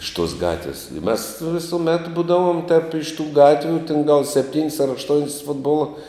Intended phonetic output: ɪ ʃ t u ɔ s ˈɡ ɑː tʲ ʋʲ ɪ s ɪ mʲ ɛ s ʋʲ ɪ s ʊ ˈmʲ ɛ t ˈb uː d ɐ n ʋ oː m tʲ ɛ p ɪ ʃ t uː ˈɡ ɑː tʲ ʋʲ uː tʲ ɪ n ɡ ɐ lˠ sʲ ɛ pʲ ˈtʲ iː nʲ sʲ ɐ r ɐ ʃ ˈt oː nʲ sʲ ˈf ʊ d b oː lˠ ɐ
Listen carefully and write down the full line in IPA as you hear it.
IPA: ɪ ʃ t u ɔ s ˈɡ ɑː tʲ ʋʲ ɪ s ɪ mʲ ɛ s ʋʲ ɪ s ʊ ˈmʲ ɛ t ˈb uː d ɐ ʋ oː m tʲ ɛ p ɪ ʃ t uː ˈɡ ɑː tʲ ʋʲ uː tʲ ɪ n ɡ ɐ lˠ sʲ ɛ pʲ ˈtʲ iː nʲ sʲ ɐ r ɐ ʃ ˈt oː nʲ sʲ ˈf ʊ d b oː lˠ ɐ